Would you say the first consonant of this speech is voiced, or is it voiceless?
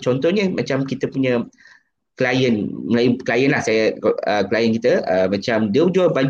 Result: voiceless